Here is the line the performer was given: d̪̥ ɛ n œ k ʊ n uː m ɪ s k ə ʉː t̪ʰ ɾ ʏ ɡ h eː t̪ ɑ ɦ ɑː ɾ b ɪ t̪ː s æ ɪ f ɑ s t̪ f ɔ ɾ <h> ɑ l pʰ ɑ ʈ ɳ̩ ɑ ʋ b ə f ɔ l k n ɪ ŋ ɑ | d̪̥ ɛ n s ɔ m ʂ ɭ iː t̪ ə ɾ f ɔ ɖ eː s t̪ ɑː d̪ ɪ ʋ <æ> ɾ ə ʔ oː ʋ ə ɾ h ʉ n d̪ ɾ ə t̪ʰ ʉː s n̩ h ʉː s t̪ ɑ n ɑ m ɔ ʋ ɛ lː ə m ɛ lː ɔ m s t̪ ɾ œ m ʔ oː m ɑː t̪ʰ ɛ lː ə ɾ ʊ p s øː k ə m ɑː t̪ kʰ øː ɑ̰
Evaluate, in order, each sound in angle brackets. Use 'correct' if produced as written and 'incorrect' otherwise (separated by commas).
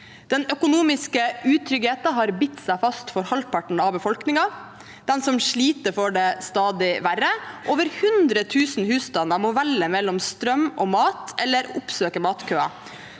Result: correct, correct